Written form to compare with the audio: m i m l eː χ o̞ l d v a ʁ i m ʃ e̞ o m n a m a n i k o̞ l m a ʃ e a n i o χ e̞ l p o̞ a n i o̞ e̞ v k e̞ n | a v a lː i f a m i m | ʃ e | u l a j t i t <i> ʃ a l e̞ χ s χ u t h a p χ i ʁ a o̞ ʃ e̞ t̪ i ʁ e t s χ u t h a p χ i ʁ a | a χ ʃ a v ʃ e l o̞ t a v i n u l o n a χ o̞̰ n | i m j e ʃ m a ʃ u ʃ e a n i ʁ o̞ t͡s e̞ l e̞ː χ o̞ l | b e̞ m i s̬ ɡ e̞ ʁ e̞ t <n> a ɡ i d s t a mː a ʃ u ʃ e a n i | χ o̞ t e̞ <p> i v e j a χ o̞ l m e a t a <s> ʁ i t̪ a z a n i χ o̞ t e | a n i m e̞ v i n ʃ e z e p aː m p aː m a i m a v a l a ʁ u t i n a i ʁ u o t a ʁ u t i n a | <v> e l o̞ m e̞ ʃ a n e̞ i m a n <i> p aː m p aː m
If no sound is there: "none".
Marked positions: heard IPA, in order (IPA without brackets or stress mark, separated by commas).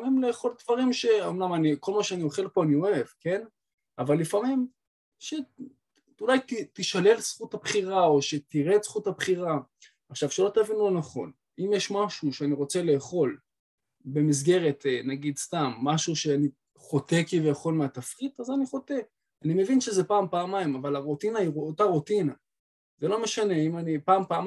i, n, k, f, z, i